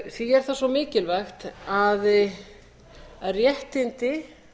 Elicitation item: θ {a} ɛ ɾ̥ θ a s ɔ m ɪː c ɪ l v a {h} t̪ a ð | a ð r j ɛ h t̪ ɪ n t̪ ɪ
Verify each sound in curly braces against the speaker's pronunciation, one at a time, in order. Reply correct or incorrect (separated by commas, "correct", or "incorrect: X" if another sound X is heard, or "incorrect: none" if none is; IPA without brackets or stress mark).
incorrect: i, incorrect: x